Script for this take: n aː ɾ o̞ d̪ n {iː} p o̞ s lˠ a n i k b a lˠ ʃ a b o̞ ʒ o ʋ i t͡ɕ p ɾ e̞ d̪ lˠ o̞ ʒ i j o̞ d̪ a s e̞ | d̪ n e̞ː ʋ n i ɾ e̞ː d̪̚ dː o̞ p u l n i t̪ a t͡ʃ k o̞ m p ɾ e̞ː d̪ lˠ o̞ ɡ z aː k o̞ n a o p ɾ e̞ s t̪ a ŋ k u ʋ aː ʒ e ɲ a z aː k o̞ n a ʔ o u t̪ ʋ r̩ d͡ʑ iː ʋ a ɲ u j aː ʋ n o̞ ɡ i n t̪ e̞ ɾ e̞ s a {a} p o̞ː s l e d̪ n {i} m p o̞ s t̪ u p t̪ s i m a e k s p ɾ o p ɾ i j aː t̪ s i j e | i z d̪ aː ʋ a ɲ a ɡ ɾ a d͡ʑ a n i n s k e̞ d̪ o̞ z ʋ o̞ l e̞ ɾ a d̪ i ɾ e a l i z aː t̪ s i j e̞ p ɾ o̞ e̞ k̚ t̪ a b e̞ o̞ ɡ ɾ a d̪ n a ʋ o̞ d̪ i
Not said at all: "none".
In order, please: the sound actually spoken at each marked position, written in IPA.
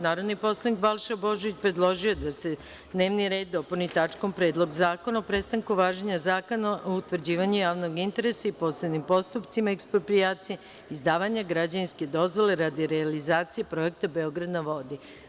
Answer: i, i, i

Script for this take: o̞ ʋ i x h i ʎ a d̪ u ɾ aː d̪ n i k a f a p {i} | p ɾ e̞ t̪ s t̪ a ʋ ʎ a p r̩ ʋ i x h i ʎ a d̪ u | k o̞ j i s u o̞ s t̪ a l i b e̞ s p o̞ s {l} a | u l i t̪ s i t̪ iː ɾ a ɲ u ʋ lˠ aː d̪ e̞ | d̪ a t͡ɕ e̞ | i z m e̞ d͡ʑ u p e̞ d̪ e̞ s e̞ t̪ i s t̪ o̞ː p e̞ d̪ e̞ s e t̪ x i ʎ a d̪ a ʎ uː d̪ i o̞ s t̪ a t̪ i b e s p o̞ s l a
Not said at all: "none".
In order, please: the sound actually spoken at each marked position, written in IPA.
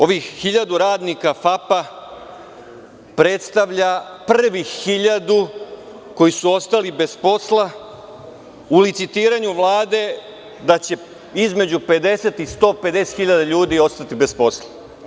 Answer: a, l

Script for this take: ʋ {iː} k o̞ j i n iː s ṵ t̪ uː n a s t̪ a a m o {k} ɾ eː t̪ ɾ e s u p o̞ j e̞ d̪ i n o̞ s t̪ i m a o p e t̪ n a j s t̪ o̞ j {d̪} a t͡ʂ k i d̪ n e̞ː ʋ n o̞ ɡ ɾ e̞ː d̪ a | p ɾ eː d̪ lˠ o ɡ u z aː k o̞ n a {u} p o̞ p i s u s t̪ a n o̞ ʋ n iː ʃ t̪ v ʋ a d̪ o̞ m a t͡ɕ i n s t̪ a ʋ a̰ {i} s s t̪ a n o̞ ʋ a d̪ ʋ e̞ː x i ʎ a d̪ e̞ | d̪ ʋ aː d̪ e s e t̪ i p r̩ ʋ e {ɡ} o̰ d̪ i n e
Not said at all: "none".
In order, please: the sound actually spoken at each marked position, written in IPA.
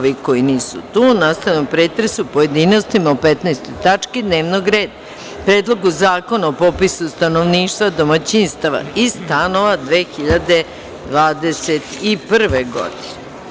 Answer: i, p, t̪, o, i, ɡ

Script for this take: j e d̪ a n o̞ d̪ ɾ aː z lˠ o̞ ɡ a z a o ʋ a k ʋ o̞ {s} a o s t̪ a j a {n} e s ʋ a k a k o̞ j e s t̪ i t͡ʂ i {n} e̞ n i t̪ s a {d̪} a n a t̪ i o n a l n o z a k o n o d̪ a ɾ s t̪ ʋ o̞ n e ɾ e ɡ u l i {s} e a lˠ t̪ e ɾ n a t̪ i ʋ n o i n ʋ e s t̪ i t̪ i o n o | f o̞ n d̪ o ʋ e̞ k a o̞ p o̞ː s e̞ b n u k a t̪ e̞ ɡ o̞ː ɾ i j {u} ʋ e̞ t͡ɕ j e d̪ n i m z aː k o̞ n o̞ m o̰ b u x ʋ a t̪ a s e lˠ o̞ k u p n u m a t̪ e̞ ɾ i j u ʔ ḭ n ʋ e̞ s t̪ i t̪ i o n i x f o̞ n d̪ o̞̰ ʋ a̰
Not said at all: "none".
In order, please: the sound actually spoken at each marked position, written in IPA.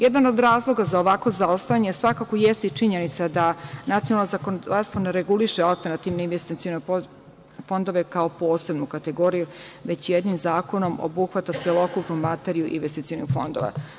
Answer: z, ɲ, ɲ, d̪, ʃ, u

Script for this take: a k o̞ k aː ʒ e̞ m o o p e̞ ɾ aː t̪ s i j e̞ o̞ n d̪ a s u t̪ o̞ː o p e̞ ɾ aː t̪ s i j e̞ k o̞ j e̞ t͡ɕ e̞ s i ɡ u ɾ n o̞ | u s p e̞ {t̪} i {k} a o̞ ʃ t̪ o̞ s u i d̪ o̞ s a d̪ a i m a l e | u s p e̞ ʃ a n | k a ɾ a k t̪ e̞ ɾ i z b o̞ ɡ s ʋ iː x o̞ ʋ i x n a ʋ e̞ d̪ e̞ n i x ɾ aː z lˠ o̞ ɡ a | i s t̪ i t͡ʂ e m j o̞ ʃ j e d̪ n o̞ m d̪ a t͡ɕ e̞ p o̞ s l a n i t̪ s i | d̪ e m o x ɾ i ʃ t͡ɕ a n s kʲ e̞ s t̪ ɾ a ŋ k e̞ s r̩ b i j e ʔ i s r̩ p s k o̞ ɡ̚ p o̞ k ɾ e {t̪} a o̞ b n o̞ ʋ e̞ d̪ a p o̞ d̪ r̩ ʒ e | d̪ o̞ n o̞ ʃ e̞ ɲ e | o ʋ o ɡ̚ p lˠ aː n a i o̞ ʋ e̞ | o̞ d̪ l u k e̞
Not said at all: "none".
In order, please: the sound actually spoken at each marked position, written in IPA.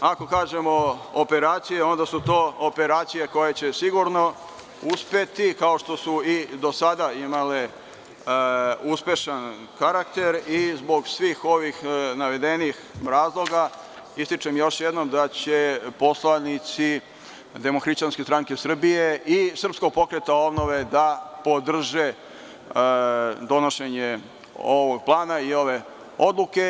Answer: t̪, k, t̪

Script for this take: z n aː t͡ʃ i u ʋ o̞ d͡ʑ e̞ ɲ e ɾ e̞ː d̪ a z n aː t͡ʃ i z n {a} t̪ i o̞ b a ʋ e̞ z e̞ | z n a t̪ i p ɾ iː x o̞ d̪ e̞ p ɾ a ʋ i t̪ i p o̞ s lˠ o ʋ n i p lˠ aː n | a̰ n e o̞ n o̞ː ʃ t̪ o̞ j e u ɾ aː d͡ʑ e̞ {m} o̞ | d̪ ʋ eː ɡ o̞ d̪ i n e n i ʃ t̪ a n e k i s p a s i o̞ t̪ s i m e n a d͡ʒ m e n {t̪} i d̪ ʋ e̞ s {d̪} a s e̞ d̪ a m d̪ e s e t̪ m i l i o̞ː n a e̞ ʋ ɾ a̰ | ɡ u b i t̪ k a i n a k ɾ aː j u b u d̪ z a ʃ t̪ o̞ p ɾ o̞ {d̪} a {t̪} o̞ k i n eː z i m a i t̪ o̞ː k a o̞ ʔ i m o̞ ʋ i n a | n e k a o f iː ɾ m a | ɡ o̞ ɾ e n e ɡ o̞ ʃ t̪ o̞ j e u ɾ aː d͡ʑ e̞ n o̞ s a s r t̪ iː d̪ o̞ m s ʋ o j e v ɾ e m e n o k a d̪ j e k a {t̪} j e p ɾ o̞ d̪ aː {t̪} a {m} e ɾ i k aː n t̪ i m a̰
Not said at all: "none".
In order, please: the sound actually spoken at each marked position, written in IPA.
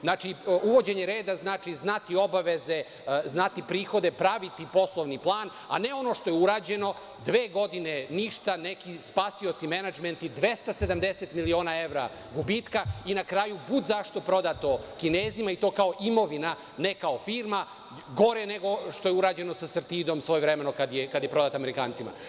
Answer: a, n, t̪, t̪, d̪, t̪, d̪, t̪, m

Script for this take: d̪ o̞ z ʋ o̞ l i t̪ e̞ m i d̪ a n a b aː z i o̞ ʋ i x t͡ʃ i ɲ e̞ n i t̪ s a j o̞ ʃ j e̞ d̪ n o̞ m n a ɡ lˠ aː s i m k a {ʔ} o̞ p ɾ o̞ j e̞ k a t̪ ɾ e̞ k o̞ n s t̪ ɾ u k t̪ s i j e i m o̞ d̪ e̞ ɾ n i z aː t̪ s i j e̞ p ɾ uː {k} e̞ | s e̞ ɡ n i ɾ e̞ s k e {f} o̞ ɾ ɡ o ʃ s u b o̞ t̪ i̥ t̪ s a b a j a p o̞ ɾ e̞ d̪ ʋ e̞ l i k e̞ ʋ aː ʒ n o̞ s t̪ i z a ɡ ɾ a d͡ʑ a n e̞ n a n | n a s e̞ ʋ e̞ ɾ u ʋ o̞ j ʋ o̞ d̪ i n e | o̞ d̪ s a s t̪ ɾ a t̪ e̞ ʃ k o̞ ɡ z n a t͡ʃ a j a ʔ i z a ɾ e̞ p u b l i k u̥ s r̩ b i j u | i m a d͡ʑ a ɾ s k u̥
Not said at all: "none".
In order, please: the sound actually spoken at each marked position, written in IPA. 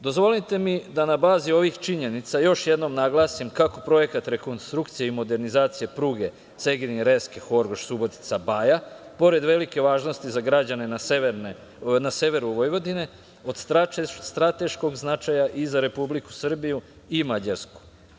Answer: k, ɡ, x

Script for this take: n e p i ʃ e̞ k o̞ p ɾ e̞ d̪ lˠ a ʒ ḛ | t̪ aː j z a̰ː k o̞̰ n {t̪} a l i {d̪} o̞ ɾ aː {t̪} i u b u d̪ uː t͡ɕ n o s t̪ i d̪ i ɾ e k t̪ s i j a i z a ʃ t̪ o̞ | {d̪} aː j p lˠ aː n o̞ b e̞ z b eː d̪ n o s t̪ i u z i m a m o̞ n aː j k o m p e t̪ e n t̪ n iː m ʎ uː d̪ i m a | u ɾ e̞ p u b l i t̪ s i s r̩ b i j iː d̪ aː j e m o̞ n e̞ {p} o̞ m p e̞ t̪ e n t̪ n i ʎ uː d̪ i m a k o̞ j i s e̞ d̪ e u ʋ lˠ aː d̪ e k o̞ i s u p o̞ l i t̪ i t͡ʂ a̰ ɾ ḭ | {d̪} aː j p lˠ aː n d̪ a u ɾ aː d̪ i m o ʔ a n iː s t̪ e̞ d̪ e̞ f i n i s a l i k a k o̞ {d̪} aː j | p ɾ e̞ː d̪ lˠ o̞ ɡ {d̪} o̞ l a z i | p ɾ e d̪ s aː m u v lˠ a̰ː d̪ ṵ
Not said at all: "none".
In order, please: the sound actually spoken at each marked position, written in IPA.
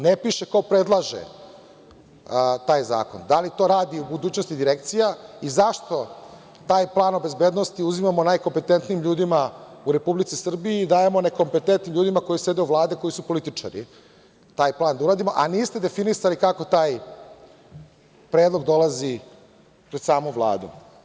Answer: d̪, t̪, d̪, t̪, k, t̪, t̪, d̪

